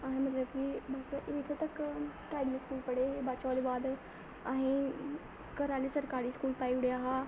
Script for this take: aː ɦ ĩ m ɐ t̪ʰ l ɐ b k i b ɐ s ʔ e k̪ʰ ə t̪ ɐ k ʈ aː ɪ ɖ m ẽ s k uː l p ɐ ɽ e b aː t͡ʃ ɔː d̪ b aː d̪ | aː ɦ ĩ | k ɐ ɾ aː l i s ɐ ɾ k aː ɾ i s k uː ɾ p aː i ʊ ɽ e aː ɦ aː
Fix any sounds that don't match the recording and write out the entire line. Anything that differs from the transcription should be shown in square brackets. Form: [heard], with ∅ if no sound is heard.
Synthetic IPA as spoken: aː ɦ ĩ m ɐ [t̪] l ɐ b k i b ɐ s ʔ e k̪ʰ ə t̪ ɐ k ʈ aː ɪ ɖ m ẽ s k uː l p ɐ ɽ e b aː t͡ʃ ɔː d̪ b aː d̪ | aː ɦ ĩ | k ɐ ɾ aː l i s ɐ ɾ k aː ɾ i s k uː [l] p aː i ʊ ɽ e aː ɦ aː